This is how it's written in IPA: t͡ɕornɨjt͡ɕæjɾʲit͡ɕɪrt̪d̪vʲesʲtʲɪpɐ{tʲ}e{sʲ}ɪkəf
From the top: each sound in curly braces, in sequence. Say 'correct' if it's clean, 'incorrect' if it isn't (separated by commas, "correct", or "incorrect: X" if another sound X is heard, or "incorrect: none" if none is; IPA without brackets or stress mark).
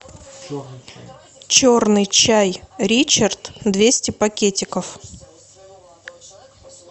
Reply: incorrect: kʲ, incorrect: tʲ